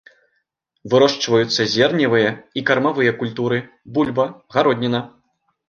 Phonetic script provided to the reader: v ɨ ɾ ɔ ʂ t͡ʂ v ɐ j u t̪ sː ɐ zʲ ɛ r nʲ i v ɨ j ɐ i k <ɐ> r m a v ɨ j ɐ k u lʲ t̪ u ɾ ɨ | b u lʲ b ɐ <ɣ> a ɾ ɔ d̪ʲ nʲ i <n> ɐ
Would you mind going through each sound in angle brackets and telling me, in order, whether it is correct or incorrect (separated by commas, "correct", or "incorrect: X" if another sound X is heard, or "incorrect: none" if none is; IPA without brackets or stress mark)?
correct, correct, correct